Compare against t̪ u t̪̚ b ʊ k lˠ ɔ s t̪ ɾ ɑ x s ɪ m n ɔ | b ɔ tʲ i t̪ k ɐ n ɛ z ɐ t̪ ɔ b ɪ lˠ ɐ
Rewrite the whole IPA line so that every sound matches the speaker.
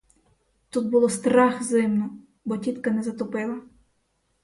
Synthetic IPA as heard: t̪ u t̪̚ b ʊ lˠ ɔ s t̪ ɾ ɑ x z ɪ m n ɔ | b ɔ tʲ i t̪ k ɐ n ɛ z ɐ t̪ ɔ p ɪ lˠ ɐ